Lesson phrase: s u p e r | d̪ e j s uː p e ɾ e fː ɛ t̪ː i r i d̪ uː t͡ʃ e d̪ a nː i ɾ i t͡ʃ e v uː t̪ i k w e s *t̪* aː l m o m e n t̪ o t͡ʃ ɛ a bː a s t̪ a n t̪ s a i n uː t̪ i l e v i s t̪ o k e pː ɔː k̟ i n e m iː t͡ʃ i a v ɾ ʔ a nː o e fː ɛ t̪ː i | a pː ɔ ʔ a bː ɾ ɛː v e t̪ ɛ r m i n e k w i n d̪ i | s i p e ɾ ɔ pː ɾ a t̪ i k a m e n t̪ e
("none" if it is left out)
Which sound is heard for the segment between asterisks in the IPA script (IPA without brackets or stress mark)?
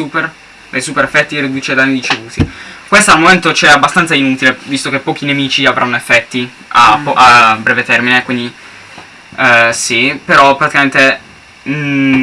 t̪